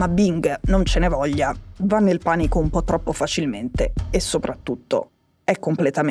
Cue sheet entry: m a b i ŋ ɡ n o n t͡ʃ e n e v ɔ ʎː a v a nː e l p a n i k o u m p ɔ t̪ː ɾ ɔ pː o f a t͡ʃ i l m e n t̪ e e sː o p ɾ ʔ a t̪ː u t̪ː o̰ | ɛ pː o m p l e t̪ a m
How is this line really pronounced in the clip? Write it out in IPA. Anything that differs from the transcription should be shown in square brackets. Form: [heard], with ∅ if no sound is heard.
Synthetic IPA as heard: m a b i ŋ ɡ n o n t͡ʃ e n e v ɔ ʎː a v a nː e l p a n i k o u m p ɔ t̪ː ɾ ɔ pː o f a t͡ʃ i l m e n t̪ e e sː o p ɾ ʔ a t̪ː u t̪ː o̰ | ɛ [kː] o m p l e t̪ a m